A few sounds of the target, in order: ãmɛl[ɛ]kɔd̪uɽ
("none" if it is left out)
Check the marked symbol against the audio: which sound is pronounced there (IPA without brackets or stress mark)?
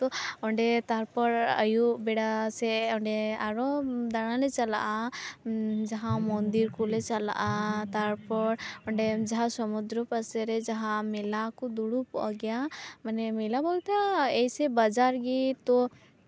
a